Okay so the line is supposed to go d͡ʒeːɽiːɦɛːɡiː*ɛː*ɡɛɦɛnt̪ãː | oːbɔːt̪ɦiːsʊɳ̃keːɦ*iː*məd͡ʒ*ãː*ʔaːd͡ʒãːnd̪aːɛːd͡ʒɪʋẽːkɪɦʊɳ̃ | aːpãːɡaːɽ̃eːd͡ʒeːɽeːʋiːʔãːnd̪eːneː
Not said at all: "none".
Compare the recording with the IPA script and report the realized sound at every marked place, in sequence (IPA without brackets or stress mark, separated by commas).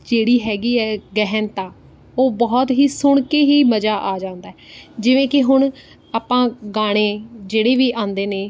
ɛː, iː, aː